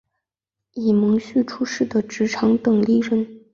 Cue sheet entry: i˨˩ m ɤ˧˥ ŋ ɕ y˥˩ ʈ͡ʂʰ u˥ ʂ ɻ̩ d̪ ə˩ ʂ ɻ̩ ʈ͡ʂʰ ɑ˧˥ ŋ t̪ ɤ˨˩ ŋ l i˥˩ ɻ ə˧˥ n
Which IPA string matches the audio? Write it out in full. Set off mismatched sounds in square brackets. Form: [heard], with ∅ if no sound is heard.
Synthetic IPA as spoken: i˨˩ m ɤ˧˥ ŋ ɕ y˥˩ ʈ͡ʂʰ u˥ ʂ ɻ̩ d̪ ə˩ [ʈ͡ʂ] ɻ̩ ʈ͡ʂʰ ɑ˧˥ ŋ t̪ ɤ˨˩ ŋ l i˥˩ ɻ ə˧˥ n